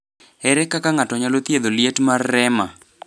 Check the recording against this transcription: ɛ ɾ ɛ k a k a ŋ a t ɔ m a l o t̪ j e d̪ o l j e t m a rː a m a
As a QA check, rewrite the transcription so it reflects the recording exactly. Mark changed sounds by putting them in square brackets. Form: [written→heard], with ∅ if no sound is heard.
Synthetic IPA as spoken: ɛ ɾ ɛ k a k a ŋ a t ɔ [m→ɲ] a l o t̪ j e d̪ o l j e t m a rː [a→ɛ] m a